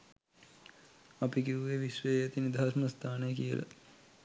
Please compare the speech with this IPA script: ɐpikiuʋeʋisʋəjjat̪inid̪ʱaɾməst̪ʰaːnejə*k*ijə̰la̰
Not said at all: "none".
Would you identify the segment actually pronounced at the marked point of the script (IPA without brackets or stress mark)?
k